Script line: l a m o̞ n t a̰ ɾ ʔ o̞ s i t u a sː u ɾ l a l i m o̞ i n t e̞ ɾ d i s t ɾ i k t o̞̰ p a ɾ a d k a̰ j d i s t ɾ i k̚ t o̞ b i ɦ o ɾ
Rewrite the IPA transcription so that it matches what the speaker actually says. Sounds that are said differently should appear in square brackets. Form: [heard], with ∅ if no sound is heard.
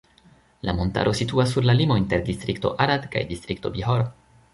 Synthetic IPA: l a m o̞ n t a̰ ɾ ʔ o̞ s i t u a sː u ɾ l a l i m o̞ i n t e̞ ɾ d i s t ɾ i k t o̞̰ [ʔ] a ɾ a d k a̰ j d i s t ɾ i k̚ t o̞ b i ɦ o ɾ